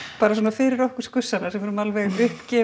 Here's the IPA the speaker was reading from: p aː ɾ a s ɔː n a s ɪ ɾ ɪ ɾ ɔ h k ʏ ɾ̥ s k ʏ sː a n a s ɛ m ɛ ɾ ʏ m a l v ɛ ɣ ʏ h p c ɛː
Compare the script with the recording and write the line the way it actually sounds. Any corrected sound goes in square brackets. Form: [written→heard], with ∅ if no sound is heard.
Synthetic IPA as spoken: p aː ɾ a s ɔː n a [s→f] ɪ ɾ ɪ ɾ ɔ h k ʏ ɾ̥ s k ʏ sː a n a s ɛ m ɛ ɾ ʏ m a l v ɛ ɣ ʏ h p c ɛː